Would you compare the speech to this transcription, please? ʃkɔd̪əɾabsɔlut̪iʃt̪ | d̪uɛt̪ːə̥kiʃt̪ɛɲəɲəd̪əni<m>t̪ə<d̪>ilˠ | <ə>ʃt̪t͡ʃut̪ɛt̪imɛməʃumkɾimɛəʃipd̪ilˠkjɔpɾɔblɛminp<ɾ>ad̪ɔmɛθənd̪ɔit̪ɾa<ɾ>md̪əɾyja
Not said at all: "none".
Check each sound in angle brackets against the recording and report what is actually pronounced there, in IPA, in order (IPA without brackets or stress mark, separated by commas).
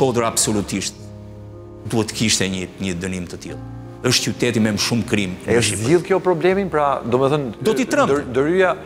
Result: m, t̪, ə, ɾ, none